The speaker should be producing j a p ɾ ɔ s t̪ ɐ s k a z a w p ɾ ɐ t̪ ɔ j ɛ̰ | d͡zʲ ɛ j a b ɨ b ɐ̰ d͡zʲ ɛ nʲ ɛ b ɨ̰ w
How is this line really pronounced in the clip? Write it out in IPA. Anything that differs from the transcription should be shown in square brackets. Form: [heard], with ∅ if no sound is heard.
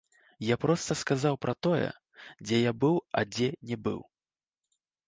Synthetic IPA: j a p ɾ ɔ s t̪ ɐ s k a z a w p ɾ ɐ t̪ ɔ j ɛ̰ | d͡zʲ ɛ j a b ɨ [w] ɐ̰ d͡zʲ ɛ nʲ ɛ b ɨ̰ w

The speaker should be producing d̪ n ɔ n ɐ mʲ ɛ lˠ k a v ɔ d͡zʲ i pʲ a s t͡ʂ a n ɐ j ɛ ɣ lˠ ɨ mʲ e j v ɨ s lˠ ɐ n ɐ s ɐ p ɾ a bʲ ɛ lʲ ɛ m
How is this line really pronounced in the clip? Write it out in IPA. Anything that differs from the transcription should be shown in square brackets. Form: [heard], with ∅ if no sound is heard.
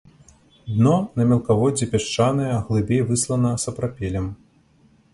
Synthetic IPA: d̪ n ɔ n ɐ mʲ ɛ lˠ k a v ɔ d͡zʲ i pʲ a [ʂ] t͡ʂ a n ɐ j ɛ ɣ lˠ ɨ [bʲ] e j v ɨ s lˠ ɐ n ɐ s ɐ p ɾ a [pʲ] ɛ lʲ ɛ m

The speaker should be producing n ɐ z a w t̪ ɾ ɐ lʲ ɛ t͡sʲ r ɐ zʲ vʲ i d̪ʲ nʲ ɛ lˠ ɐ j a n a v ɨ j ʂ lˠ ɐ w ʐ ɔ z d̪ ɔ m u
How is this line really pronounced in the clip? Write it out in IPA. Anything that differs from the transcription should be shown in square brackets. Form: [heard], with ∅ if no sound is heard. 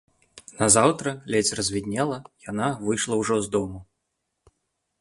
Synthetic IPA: n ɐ z a w t̪ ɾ ɐ lʲ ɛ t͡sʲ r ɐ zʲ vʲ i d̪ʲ nʲ ɛ lˠ ɐ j a n a v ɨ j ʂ lˠ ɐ w ʐ ɔ z d̪ ɔ m u

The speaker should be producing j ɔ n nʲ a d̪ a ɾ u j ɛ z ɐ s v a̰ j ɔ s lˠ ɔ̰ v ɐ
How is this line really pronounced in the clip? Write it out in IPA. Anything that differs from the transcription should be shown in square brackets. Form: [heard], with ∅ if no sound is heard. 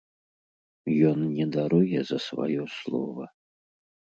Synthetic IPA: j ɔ n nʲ [ɛ] d̪ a ɾ u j ɛ z ɐ s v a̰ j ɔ s lˠ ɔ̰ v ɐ

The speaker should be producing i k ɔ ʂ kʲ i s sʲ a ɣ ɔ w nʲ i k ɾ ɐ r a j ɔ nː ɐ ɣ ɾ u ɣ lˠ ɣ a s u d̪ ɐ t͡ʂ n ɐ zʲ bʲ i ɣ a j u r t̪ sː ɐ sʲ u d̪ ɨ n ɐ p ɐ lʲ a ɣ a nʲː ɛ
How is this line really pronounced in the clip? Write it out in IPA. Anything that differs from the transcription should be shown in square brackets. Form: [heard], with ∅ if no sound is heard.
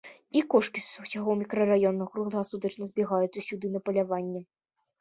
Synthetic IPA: i k ɔ ʂ kʲ i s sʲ a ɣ ɔ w [mʲ] i k ɾ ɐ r a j ɔ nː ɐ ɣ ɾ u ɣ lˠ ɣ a s u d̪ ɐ t͡ʂ n ɐ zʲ bʲ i ɣ a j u [∅] t̪ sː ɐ sʲ u d̪ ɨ n ɐ p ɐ lʲ a [v] a nʲː ɛ

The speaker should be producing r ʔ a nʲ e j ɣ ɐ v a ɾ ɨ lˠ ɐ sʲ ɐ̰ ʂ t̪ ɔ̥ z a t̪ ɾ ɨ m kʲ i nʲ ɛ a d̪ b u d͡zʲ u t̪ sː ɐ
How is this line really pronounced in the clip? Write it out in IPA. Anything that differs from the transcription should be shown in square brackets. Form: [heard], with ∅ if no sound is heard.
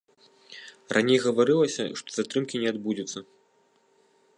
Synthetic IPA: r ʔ a nʲ e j ɣ ɐ v a ɾ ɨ lˠ ɐ sʲ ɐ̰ ʂ t̪ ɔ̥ z a t̪ ɾ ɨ m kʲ i nʲ ɛ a d̪ b u d͡zʲ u t̪ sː ɐ

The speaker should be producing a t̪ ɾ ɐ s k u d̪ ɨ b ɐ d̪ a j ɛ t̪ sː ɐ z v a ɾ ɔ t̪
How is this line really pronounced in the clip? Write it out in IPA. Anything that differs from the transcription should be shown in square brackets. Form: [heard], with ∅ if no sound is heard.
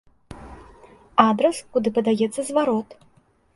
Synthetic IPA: a [d̪] ɾ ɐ s k u d̪ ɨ [p] ɐ d̪ a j ɛ t̪ sː ɐ z v a ɾ ɔ t̪

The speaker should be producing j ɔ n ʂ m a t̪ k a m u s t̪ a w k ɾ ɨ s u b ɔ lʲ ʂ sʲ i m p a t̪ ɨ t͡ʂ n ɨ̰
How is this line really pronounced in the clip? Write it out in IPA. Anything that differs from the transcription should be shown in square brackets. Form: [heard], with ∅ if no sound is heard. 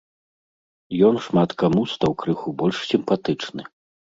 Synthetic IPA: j ɔ n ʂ m a t̪ k a m u s t̪ a w k ɾ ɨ [x] u b ɔ lʲ ʂ sʲ i m p a t̪ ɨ t͡ʂ n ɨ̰

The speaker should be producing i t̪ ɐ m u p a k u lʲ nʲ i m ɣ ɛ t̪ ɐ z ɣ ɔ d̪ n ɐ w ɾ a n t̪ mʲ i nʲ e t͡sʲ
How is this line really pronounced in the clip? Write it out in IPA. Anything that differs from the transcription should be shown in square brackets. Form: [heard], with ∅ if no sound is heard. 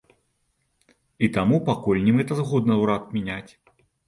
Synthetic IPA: i t̪ [a] m u p a k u lʲ nʲ i m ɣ ɛ t̪ ɐ z ɣ ɔ d̪ n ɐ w ɾ a [∅] t̪ mʲ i nʲ [a] t͡sʲ

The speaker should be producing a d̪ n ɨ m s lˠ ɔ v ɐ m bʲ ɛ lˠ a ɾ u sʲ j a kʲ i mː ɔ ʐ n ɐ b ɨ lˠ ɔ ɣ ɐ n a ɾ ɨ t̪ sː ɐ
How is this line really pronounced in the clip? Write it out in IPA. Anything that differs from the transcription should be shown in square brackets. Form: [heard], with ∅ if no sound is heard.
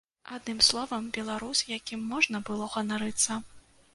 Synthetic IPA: a d̪ n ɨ m s lˠ ɔ v ɐ m bʲ ɛ lˠ a ɾ u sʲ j a kʲ i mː ɔ ʐ n ɐ b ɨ lˠ ɔ ɣ ɐ n a ɾ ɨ t̪ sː ɐ

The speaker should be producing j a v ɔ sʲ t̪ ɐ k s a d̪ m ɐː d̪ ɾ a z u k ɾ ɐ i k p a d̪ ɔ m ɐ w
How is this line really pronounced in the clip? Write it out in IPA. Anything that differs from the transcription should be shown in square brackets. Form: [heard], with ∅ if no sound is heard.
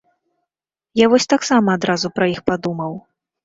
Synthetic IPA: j a v ɔ sʲ t̪ [a] k s a [∅] m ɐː d̪ ɾ a z u [p] ɾ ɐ i [x] p a d̪ [u] m ɐ w

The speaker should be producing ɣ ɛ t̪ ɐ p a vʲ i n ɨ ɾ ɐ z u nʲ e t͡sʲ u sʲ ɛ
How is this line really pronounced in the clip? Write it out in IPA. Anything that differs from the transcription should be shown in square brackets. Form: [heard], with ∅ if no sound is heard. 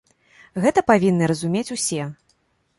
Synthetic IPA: ɣ ɛ t̪ ɐ p a vʲ i [nː] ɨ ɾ ɐ z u [mʲ] e t͡sʲ u sʲ ɛ

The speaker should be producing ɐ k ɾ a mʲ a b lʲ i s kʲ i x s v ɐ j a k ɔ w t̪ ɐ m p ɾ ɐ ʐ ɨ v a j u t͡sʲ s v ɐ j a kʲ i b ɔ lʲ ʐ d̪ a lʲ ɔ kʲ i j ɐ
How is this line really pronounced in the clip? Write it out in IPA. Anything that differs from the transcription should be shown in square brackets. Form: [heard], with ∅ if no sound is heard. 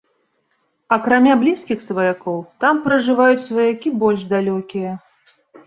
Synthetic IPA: ɐ k ɾ a mʲ a b lʲ i s kʲ i x s v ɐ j a k ɔ w t̪ [a] m p ɾ ɐ ʐ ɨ v a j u t͡sʲ s v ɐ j a kʲ i b ɔ lʲ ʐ d̪ a lʲ ɔ kʲ i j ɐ

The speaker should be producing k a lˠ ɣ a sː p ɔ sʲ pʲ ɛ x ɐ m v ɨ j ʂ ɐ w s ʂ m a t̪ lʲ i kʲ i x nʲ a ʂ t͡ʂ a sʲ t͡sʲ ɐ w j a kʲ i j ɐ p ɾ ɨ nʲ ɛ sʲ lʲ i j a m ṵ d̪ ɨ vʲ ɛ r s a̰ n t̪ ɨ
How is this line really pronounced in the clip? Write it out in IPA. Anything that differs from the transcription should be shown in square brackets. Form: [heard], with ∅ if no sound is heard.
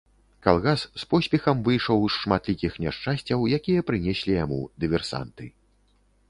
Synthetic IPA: k a lˠ ɣ a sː p ɔ sʲ pʲ ɛ x ɐ m v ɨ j ʂ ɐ w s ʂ m a t̪ lʲ i kʲ i x nʲ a ʂ t͡ʂ a sʲ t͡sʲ ɐ w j a kʲ i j ɐ p ɾ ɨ nʲ ɛ sʲ lʲ i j a m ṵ d̪ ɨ vʲ ɛ r s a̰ n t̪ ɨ

